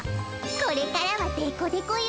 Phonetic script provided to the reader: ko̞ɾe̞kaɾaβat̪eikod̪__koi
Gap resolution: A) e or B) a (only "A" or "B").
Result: A